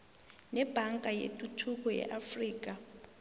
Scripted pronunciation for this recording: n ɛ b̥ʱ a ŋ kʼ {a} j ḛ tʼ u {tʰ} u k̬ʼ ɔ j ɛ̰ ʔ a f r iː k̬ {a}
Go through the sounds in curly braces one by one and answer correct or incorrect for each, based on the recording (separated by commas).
correct, correct, correct